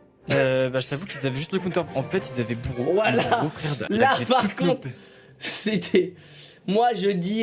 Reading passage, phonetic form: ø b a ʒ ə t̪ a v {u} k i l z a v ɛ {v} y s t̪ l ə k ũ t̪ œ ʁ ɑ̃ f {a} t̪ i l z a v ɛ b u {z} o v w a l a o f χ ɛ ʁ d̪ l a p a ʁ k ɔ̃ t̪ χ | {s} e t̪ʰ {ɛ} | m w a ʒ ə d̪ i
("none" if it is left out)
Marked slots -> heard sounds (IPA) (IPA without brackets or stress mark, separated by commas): u, ʒ, ɛ, ʁ, s, ɛ